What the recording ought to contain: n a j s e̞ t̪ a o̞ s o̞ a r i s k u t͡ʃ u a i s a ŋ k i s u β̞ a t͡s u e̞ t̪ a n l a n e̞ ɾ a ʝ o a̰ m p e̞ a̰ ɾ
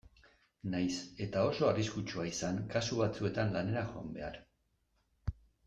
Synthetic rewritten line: n a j s e̞ t̪ a o̞ s o̞ a r i s k u t͡ʃ u a i s a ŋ k a s u β̞ a t͡s u e̞ t̪ a n l a n e̞ ɾ a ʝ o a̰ m b e̞ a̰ ɾ